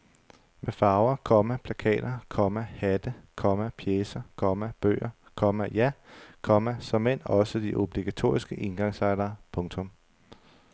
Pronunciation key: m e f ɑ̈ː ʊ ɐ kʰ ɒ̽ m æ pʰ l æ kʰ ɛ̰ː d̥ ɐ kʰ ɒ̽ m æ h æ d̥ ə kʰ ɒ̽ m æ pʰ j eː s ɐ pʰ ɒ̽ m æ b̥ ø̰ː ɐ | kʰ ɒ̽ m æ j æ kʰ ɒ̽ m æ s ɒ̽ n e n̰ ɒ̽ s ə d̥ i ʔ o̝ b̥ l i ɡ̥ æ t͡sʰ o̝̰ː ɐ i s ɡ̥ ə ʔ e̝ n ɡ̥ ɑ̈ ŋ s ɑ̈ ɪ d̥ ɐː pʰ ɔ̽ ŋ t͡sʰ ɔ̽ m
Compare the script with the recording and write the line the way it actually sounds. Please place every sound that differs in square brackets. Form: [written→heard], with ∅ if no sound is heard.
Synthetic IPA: m e f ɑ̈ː ʊ ɐ kʰ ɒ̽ m æ pʰ l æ kʰ ɛ̰ː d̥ ɐ kʰ ɒ̽ m æ h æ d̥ ə kʰ ɒ̽ m æ pʰ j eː s ɐ [pʰ→kʰ] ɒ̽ m æ b̥ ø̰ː ɐ | kʰ ɒ̽ m æ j æ kʰ ɒ̽ m æ s ɒ̽ [n→m] e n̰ ɒ̽ s ə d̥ i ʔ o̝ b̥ l i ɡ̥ æ t͡sʰ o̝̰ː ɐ i s ɡ̥ ə ʔ e̝ n ɡ̥ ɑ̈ ŋ s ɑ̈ ɪ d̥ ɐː pʰ ɔ̽ ŋ t͡sʰ ɔ̽ m

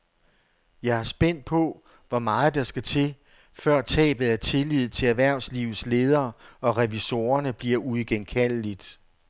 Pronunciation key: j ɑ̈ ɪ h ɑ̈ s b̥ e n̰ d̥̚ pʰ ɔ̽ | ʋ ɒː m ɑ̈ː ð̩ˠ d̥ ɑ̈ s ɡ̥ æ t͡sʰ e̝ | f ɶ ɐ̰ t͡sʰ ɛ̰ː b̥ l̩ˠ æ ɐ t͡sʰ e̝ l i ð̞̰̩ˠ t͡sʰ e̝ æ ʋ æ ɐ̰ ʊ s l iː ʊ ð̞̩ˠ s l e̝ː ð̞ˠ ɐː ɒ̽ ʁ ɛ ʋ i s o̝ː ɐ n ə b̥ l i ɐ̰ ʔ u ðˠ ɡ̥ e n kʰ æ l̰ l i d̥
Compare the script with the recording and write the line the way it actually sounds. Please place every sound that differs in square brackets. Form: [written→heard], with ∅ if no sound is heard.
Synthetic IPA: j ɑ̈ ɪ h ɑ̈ s b̥ e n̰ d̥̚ pʰ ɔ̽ | ʋ [ɒː→ɒ] m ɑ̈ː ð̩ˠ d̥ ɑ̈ s ɡ̥ æ t͡sʰ e̝ | f ɶ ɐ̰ t͡sʰ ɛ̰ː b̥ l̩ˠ æ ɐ t͡sʰ e̝ l i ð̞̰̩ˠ t͡sʰ e̝ æ ʋ æ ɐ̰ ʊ s l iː ʊ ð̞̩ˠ s l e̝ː ð̞ˠ ɐː ɒ̽ ʁ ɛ ʋ i s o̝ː ɐ n ə b̥ l i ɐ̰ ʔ u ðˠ ɡ̥ e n kʰ æ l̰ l i d̥

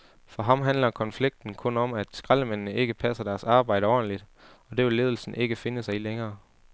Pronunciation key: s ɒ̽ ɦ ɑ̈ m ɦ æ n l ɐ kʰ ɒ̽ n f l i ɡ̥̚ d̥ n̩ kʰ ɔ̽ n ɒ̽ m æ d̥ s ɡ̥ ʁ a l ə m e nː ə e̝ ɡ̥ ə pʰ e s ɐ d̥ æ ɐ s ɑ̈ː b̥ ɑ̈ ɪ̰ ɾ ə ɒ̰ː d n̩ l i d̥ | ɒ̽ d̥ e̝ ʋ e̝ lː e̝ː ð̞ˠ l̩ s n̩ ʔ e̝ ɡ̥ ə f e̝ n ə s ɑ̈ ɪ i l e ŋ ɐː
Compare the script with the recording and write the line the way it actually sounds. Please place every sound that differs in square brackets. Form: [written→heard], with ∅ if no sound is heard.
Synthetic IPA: [s→f] ɒ̽ ɦ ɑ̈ m ɦ æ n l ɐ kʰ ɒ̽ n f l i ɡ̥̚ d̥ n̩ kʰ ɔ̽ n ɒ̽ m æ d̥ s ɡ̥ ʁ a l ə m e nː ə e̝ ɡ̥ ə pʰ [e→æ] s ɐ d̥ æ ɐ s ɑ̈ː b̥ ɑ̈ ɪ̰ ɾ ə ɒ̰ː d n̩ l i d̥ | ɒ̽ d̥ e̝ ʋ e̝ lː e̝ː ð̞ˠ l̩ s n̩ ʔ e̝ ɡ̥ ə f e̝ n ə s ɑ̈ ɪ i l e ŋ ɐː

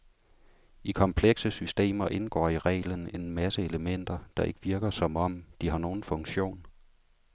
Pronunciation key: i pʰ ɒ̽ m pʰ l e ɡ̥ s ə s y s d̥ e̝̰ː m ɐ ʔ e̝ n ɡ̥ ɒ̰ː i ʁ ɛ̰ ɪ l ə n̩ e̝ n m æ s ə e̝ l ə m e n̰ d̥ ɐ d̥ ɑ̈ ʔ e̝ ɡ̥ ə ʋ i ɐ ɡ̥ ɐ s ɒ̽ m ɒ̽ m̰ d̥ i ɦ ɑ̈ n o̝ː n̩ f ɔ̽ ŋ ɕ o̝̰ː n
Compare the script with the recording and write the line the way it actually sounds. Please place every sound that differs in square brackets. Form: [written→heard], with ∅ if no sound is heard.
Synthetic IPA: i [pʰ→kʰ] ɒ̽ m pʰ l e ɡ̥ s ə s y s d̥ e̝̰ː m ɐ ʔ e̝ n ɡ̥ ɒ̰ː i ʁ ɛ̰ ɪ l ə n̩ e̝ n m æ s ə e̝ l ə m e n̰ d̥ ɐ d̥ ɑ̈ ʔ e̝ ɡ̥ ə ʋ i ɐ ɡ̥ ɐ s ɒ̽ m ɒ̽ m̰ d̥ i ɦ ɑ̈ n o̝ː n̩ f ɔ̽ ŋ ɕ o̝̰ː n

